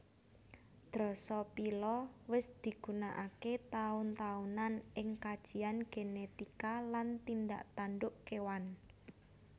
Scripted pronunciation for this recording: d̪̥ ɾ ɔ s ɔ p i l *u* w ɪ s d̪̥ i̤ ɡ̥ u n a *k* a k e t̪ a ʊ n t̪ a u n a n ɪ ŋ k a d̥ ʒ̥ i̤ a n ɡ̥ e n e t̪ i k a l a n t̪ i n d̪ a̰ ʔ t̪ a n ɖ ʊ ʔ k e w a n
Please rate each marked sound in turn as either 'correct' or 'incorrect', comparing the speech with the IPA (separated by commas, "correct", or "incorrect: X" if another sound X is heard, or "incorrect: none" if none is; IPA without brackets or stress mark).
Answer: incorrect: ɔ, incorrect: ʔ